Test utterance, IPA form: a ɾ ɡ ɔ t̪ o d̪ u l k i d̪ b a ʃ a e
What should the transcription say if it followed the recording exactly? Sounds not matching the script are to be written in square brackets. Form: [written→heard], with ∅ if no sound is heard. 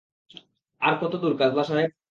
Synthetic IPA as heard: a ɾ [ɡ→k] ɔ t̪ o d̪ u [l→ɾ] k [i→a] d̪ b a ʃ a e